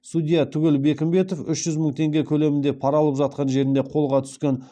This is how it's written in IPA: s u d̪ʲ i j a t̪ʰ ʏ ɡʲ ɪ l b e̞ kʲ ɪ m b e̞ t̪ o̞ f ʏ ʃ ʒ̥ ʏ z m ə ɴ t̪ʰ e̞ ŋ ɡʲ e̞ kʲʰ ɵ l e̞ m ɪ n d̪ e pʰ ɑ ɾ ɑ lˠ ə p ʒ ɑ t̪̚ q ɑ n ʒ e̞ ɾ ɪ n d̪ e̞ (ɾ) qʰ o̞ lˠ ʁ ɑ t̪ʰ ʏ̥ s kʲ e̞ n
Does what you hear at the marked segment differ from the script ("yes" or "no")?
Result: yes